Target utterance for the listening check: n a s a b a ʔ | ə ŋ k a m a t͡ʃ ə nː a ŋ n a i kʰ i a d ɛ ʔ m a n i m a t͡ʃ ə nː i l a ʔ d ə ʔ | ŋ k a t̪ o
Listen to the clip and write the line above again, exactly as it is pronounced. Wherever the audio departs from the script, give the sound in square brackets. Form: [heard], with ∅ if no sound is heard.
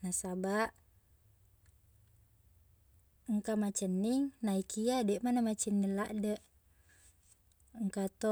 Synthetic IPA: n a s a b a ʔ | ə ŋ k a m a t͡ʃ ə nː [i] ŋ n a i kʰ i a d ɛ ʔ m a n [a] m a t͡ʃ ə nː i l a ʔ d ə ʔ | ŋ k a t̪ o